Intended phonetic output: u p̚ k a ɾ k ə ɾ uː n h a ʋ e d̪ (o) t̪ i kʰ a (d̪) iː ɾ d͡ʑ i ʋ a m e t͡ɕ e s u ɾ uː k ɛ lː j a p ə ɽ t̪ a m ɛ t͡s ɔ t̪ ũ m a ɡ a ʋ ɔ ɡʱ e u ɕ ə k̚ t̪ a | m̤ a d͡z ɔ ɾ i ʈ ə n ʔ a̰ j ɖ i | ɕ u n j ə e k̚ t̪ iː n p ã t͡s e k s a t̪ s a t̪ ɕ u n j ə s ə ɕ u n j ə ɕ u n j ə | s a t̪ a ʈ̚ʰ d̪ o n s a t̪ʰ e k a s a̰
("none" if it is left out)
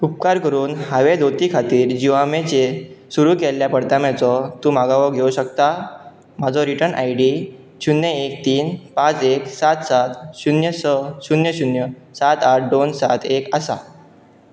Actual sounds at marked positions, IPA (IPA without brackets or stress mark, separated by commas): o, t̪